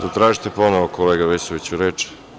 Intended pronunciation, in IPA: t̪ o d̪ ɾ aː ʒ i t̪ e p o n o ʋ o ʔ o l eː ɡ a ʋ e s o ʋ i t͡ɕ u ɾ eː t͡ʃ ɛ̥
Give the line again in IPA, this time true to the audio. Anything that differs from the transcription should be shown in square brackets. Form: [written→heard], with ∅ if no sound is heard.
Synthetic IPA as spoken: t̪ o [d̪→t̪] ɾ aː ʒ i t̪ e p o n o ʋ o [ʔ→k] o l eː ɡ a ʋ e s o ʋ i t͡ɕ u ɾ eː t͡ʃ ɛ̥